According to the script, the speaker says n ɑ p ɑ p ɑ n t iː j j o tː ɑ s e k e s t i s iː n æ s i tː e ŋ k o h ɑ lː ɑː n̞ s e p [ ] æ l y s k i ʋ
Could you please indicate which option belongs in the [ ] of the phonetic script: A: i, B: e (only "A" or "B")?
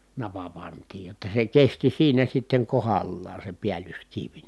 A